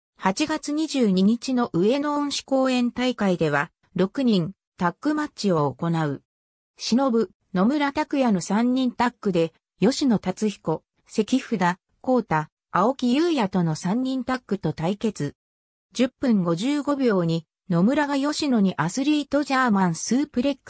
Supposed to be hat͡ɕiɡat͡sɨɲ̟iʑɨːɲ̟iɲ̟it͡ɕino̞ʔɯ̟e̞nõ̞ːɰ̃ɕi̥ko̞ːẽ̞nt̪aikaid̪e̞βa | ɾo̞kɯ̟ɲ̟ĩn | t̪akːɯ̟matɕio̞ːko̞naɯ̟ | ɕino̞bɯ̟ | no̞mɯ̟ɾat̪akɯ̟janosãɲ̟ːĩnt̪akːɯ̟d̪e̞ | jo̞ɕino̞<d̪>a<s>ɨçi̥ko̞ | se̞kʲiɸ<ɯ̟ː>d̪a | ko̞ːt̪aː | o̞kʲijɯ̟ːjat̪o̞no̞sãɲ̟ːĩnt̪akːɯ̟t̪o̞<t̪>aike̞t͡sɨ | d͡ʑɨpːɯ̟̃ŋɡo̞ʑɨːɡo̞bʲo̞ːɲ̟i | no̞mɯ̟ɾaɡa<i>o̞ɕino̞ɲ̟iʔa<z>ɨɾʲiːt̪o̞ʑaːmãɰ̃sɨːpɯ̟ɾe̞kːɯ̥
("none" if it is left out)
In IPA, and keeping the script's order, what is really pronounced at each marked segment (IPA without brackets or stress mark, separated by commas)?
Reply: t̪, t͡s, ɯ̟, t̪, j, s